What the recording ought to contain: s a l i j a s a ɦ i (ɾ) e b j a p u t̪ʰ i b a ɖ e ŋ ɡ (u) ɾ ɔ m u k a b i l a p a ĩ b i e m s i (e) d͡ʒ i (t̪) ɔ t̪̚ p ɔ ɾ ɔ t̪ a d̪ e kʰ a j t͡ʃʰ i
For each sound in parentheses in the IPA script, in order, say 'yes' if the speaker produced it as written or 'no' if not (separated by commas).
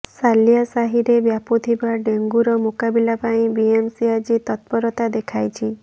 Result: yes, yes, no, yes